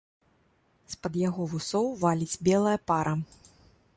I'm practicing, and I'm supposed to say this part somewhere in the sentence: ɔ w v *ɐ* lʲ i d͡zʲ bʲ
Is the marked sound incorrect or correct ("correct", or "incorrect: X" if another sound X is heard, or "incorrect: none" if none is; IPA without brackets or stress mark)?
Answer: incorrect: a